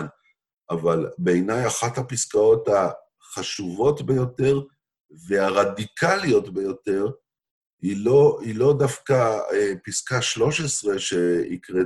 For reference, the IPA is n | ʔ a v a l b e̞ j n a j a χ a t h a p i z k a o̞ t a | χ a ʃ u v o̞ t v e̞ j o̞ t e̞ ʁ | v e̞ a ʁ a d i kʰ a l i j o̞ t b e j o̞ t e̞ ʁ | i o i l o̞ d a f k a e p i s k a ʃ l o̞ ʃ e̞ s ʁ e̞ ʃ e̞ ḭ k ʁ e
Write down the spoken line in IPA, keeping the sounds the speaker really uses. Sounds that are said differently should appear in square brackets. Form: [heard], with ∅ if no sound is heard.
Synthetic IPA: n | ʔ a v a l b e̞ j n a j a χ a t h a p i [s] k a o̞ t a | χ a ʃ u v o̞ t [b] e̞ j o̞ t e̞ ʁ | v e̞ a ʁ a d i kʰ a l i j o̞ t b e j o̞ t e̞ ʁ | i o i l o̞ d a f k a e p i s k a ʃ l o̞ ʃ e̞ s ʁ e̞ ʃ e̞ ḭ k ʁ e